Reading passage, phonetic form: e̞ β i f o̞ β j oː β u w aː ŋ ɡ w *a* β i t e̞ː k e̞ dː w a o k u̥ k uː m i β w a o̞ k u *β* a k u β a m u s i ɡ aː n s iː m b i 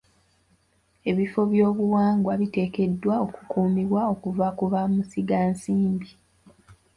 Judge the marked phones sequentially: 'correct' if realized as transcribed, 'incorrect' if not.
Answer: correct, incorrect: v

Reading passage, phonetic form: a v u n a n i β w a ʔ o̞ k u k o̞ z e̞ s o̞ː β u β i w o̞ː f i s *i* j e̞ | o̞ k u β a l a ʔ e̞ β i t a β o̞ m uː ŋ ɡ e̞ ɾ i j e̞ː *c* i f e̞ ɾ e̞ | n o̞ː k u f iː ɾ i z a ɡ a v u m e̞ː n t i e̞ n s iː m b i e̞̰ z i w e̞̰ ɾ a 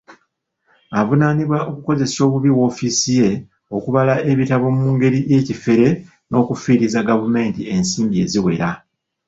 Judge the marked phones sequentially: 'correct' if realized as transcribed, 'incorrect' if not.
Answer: correct, correct

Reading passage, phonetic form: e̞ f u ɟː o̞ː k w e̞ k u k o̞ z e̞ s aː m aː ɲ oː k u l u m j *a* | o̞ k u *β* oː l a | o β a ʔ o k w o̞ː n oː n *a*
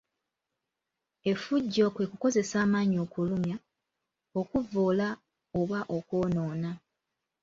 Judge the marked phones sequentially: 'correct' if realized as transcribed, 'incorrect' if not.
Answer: correct, incorrect: v, correct

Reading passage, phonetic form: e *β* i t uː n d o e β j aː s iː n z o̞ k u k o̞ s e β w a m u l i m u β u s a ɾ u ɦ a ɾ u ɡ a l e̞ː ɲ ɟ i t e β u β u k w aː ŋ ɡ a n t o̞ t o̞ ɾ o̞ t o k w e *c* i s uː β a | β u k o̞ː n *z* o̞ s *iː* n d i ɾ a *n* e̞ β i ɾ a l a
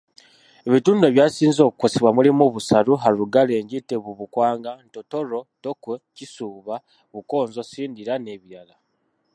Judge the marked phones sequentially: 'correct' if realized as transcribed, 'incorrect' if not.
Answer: correct, correct, correct, correct, correct

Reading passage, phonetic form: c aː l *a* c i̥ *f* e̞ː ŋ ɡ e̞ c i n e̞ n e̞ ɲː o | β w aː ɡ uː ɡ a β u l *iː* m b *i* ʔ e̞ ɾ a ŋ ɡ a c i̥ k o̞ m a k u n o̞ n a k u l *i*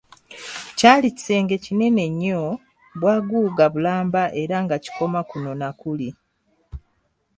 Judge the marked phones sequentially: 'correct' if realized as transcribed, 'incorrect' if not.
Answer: incorrect: i, incorrect: s, incorrect: aː, incorrect: a, correct

